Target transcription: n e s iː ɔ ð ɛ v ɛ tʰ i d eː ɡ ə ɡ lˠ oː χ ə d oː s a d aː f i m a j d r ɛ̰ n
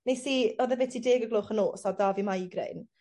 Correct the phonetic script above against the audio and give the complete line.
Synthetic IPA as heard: n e s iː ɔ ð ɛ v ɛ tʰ i d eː ɡ ə ɡ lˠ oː χ ə n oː s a d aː v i m a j ɡ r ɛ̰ n